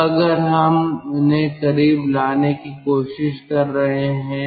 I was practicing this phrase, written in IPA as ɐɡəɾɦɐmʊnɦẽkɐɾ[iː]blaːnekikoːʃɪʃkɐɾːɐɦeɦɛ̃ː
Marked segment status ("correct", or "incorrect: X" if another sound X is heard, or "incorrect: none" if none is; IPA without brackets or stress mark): correct